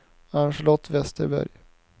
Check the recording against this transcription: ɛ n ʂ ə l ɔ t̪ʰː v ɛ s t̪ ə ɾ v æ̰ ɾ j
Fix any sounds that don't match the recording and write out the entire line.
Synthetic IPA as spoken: a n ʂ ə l ɔ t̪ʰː v ɛ s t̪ ə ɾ b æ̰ ɾ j